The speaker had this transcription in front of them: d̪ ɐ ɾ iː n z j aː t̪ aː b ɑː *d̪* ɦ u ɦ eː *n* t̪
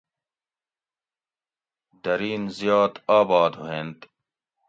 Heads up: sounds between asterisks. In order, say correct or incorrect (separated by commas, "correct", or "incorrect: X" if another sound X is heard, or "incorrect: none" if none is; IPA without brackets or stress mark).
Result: correct, correct